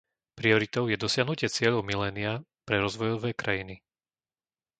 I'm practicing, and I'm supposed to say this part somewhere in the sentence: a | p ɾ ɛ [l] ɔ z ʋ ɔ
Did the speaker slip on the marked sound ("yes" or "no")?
yes